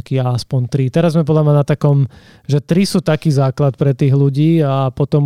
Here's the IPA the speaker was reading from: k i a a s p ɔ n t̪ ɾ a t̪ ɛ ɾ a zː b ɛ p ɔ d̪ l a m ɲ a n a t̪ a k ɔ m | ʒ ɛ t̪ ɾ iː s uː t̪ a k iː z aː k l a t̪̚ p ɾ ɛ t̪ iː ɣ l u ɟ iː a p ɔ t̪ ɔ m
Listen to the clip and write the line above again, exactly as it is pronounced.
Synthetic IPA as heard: k i a a s p ɔ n t̪ ɾ i t̪ ɛ ɾ a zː m ɛ p ɔ d̪ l a m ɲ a n a t̪ a k ɔ m | ʒ ɛ t̪ ɾ i s uː t̪ a k iː z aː k l a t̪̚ p ɾ ɛ t̪ iː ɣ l u ɟ iː a p ɔ t̪ ɔ m